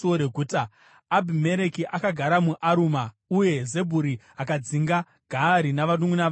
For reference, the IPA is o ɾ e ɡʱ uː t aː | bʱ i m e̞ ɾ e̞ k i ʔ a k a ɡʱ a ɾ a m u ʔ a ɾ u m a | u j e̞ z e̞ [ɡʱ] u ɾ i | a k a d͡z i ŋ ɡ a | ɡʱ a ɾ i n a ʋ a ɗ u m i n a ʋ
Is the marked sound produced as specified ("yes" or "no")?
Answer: no